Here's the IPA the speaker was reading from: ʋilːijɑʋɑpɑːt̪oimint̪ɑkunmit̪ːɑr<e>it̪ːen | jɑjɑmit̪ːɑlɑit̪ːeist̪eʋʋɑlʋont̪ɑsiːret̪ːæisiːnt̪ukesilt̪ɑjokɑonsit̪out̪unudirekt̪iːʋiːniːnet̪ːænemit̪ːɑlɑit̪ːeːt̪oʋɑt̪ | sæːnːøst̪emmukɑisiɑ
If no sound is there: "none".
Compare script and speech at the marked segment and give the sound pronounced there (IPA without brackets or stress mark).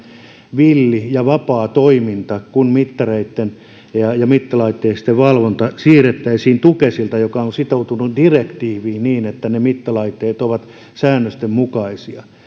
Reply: e